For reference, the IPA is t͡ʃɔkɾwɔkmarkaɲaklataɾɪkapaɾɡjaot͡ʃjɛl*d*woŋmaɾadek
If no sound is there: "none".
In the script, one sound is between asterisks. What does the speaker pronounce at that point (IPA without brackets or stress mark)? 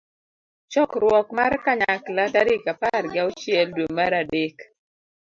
d